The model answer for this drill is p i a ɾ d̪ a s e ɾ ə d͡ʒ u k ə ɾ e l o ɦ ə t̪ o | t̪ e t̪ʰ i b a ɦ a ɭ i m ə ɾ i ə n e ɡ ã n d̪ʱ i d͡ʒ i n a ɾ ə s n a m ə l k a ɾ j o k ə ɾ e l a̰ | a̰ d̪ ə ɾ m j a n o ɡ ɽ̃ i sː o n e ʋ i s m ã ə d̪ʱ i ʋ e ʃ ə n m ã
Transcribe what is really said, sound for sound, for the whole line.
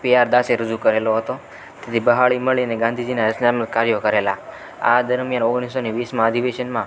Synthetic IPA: p i a ɾ d̪ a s e ɾ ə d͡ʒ u k ə ɾ e l o ɦ ə t̪ o | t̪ e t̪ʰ i b ə ɦ a ɭ i m ə ɭ i ə n e ɡ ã n d̪ʱ i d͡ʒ i n a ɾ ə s n a m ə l k a ɾ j o k ə ɾ e l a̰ | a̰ d̪ ə ɾ m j a n o ɡ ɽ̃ i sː o n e ʋ i s m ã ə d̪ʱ i ʋ e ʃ ə n m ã